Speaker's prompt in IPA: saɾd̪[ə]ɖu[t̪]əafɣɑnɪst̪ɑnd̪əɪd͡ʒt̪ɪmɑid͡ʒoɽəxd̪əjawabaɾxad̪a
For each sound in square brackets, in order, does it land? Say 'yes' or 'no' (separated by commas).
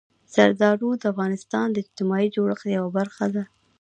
no, no